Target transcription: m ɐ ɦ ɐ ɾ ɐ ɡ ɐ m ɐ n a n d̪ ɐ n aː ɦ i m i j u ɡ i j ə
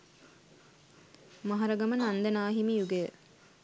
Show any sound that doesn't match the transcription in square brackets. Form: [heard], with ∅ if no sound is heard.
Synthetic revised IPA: m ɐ ɦ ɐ ɾ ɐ ɡ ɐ m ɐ n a n d̪ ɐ n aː ɦ i m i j u ɡ [e] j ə